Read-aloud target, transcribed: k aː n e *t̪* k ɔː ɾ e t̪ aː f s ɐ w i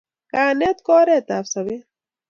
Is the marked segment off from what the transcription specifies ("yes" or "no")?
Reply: no